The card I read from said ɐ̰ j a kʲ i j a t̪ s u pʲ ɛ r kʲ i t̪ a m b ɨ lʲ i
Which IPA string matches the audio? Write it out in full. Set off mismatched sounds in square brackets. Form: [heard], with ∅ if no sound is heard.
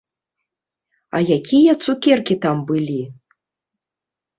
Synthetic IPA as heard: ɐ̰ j a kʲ i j [ɐ] t̪ s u [kʲ] ɛ r kʲ i t̪ a m b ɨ lʲ i